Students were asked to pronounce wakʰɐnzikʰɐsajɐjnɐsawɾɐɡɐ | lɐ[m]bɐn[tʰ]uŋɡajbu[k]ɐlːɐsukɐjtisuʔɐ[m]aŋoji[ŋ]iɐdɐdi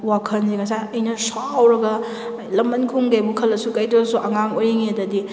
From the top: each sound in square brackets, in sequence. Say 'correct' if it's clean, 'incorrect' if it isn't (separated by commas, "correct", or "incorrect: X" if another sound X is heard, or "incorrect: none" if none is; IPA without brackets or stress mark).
correct, incorrect: kʰ, incorrect: kʰ, incorrect: ŋ, correct